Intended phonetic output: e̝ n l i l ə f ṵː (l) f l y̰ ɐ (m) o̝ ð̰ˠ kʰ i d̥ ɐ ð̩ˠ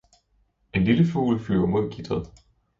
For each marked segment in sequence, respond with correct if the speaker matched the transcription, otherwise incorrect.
correct, correct

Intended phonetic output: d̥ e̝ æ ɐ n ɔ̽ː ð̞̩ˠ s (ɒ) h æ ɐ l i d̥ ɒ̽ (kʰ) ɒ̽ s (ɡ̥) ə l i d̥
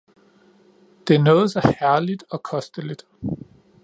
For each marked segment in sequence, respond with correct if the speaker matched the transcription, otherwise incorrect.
correct, correct, incorrect

